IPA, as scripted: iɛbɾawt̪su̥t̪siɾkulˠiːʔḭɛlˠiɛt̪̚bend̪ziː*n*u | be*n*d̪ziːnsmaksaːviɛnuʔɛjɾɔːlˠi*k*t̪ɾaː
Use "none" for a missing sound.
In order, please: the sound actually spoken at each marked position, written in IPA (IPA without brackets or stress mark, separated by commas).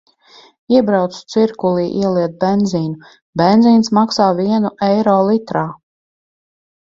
n, n, none